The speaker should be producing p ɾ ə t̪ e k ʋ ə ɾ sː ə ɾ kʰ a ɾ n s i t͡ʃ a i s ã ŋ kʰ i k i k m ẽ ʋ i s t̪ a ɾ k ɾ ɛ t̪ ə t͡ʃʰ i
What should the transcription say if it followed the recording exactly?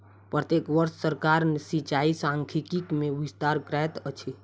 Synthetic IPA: p ɾ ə t̪ e k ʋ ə ɾ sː ə ɾ k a ɾ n s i t͡ʃ a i s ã ŋ kʰ i k i k m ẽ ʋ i s t̪ a ɾ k ɾ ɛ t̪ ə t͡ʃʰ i